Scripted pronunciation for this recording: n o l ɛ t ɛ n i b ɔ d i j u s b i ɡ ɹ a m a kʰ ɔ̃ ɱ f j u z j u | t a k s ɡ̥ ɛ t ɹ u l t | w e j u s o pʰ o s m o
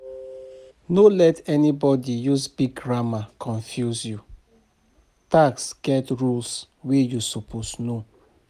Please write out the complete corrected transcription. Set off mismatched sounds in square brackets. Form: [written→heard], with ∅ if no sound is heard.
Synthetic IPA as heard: n o l ɛ t ɛ n i b ɔ d i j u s b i ɡ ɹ a m a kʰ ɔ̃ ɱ f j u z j u | t a k s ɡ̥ ɛ t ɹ u l [t→s] | w e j u s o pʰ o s [m→n] o